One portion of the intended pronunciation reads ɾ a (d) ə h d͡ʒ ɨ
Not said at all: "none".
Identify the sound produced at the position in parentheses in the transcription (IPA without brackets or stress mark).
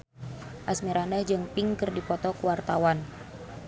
n